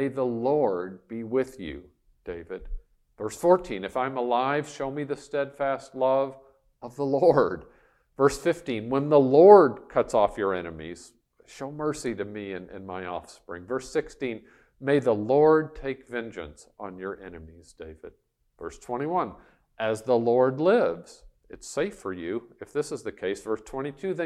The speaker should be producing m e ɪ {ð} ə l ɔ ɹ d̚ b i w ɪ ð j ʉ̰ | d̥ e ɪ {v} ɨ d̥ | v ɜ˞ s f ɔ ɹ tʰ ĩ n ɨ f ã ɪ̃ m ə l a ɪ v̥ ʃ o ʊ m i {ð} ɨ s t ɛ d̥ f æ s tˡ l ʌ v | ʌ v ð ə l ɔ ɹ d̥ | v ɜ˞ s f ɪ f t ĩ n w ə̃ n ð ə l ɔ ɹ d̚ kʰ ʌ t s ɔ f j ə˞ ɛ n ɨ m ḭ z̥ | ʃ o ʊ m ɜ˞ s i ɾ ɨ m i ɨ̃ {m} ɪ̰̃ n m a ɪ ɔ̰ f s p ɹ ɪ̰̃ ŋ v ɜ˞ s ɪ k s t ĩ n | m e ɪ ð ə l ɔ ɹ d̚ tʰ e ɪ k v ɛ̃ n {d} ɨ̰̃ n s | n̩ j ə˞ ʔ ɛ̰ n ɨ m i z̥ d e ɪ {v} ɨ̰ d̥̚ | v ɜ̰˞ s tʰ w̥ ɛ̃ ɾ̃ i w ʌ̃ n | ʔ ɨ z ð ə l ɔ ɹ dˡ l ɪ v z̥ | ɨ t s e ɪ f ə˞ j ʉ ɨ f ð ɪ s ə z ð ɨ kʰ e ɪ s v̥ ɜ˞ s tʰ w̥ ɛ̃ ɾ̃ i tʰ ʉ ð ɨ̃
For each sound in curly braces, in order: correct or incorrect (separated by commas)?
correct, correct, correct, incorrect, incorrect, correct